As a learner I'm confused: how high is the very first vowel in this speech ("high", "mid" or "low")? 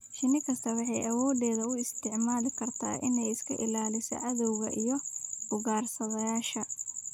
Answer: high